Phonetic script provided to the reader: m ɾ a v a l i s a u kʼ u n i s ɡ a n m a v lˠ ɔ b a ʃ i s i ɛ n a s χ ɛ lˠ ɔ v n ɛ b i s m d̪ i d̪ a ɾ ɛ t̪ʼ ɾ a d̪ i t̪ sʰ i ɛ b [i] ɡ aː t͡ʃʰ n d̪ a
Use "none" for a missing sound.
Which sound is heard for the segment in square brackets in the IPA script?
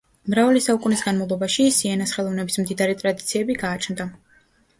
i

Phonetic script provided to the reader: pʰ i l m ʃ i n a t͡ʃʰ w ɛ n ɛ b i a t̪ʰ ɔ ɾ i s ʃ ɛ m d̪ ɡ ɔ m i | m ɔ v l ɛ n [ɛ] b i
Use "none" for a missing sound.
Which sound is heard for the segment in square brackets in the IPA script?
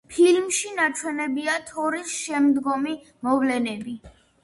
ɛ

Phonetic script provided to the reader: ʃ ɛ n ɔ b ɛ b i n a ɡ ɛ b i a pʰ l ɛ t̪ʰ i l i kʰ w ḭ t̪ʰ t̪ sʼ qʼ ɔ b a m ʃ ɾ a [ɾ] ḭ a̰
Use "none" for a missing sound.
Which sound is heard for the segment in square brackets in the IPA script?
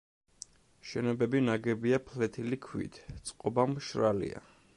l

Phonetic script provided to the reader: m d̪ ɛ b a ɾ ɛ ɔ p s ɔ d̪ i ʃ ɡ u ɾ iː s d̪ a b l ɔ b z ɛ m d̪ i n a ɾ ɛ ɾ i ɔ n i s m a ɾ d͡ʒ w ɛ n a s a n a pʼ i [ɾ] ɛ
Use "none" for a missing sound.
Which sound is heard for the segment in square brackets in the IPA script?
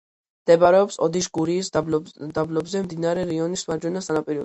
ɾ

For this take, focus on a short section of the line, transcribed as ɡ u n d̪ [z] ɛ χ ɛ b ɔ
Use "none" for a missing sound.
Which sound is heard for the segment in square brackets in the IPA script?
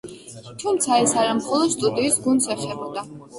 s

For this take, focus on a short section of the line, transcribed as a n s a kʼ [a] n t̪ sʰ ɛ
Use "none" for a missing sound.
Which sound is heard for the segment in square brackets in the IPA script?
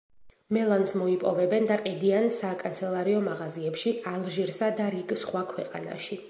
a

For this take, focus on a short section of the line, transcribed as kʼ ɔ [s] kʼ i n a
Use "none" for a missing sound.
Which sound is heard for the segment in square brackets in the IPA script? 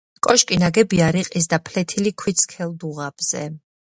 ʃ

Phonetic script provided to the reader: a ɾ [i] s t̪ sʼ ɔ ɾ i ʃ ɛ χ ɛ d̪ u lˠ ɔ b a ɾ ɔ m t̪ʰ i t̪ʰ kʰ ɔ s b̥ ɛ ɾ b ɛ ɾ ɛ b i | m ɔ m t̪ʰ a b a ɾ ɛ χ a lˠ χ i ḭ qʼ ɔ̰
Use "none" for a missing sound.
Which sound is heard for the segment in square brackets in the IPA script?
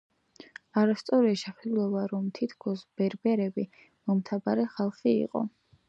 a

